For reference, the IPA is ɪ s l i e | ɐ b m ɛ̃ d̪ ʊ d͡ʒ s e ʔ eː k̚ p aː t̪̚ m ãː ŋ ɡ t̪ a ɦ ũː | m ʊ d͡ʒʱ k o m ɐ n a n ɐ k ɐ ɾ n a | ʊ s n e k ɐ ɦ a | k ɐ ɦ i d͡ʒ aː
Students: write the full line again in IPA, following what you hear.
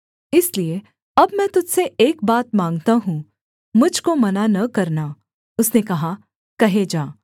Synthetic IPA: ɪ s l i e | ɐ b m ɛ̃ t̪ ʊ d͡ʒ s e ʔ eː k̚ b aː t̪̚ m ãː ŋ ɡ t̪ a ɦ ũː | m ʊ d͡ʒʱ k o m ɐ n a n ɐ k ɐ ɾ n a | ʊ s n e k ɐ ɦ a | k ɐ ɦ e d͡ʒ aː